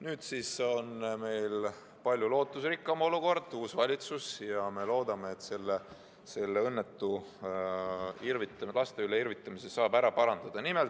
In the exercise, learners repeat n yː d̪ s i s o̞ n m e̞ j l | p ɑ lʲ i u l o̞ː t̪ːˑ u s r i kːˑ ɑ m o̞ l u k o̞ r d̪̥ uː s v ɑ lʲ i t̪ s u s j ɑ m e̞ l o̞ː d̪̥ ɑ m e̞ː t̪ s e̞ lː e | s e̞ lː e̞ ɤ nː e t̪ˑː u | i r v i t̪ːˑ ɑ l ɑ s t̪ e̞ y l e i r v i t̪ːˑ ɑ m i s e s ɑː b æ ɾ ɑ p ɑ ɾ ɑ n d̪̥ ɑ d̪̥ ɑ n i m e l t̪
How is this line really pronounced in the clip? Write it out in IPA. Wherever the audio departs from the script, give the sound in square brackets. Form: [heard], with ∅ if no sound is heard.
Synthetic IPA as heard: n yː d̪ s i s o̞ n m e̞ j l | p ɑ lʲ [j] u l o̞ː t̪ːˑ u s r i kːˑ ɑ m o̞ l u k o̞ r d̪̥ uː s v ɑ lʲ i t̪ s u s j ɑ m e̞ l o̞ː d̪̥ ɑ m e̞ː t̪ s e̞ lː e | s e̞ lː e̞ ɤ nː e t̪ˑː u | i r v i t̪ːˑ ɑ l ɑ s t̪ e̞ y l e i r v i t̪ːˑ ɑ m i s e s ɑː b æ ɾ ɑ p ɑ ɾ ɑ n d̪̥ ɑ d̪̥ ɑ n i m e l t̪